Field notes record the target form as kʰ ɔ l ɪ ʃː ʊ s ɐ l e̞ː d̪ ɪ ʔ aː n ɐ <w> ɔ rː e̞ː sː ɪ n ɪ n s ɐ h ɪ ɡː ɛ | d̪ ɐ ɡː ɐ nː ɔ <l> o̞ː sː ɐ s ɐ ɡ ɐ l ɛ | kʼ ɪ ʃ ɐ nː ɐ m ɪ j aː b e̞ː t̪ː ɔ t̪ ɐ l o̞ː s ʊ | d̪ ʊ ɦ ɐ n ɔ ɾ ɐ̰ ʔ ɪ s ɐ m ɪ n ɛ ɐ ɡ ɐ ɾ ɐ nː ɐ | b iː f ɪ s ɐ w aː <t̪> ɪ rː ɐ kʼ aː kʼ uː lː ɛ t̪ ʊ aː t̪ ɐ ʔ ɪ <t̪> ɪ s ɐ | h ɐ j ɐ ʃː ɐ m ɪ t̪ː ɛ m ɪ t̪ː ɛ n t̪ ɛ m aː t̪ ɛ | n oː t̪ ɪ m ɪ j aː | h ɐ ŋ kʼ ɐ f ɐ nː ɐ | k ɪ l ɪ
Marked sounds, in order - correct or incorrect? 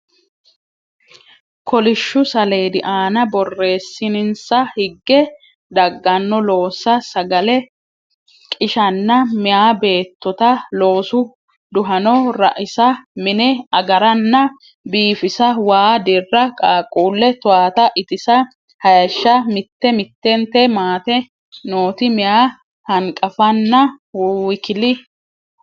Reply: incorrect, correct, incorrect, correct

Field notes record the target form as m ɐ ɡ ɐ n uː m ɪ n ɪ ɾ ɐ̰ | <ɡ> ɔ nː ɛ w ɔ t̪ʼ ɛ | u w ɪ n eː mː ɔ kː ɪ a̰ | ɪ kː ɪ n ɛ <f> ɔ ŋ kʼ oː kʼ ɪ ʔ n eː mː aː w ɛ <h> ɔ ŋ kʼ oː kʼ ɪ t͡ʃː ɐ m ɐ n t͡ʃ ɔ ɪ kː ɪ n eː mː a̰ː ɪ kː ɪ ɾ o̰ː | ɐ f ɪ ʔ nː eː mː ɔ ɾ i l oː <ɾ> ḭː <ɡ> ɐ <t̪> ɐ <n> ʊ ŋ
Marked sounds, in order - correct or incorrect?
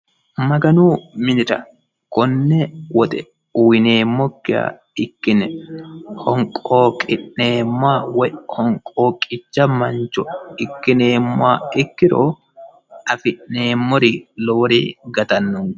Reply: incorrect, incorrect, correct, correct, correct, correct, incorrect

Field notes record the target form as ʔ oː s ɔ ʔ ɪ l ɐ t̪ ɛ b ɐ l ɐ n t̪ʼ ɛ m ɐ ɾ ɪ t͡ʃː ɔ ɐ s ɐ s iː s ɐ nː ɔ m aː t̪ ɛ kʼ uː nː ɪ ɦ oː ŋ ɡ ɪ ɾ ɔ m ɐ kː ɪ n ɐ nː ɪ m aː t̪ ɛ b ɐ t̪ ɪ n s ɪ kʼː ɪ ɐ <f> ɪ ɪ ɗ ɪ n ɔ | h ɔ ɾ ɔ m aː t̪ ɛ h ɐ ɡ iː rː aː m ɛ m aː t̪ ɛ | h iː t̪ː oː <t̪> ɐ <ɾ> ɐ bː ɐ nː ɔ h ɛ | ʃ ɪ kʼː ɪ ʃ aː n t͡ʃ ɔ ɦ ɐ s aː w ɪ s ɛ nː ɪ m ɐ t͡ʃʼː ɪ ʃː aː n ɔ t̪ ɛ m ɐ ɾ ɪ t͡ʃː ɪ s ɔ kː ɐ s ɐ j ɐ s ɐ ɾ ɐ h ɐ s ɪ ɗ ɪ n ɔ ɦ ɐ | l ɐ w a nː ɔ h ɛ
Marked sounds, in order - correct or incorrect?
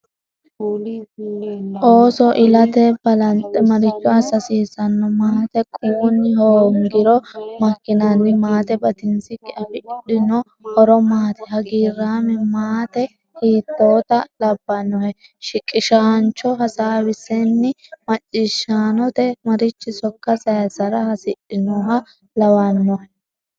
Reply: correct, correct, incorrect

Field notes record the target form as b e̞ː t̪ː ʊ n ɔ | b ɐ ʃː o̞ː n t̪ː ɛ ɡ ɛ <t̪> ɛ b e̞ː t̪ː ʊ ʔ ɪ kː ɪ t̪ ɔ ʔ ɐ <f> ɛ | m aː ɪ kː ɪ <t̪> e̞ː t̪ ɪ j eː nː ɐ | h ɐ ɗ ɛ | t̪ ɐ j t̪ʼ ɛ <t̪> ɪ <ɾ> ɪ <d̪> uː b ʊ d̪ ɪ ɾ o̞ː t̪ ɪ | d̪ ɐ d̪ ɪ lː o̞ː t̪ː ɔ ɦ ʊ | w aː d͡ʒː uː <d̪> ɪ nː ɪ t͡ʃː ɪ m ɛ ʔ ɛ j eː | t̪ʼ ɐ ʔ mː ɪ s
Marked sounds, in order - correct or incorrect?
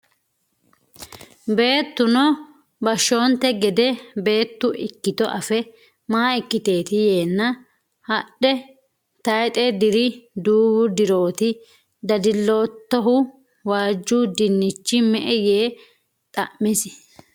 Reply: incorrect, correct, correct, incorrect, correct, correct, correct

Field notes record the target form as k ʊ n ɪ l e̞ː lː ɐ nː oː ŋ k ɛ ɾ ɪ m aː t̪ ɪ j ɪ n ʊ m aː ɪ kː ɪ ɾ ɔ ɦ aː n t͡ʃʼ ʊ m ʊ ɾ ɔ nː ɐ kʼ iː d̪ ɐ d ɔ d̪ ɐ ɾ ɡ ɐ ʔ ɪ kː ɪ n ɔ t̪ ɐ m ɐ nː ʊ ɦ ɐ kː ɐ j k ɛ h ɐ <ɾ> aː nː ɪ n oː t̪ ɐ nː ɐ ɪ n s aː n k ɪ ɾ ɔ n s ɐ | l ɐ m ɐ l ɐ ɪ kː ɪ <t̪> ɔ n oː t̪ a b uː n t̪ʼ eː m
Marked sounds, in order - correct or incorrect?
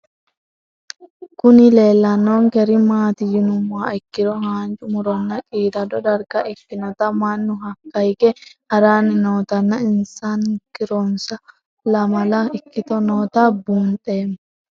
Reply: correct, correct

